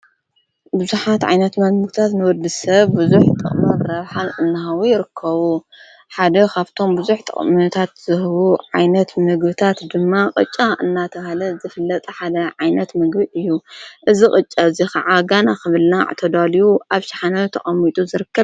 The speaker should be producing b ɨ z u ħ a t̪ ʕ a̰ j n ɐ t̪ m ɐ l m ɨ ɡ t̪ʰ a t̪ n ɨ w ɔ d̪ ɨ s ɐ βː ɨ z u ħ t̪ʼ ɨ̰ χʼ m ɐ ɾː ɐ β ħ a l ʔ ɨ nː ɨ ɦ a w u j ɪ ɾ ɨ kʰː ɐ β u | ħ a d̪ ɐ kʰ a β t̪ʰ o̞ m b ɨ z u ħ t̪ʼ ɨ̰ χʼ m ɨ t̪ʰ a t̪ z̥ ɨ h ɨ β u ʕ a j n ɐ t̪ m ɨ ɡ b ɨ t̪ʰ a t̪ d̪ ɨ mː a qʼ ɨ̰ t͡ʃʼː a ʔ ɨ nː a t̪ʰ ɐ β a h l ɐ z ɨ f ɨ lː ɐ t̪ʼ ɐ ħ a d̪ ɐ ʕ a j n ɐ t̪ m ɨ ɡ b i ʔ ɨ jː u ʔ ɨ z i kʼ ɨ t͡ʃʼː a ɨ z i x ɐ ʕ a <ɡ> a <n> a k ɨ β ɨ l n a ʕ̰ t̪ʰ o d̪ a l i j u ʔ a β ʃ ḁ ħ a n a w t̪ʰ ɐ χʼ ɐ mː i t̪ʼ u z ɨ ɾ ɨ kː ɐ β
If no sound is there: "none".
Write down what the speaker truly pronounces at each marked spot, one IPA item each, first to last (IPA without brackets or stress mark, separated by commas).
ɡ, n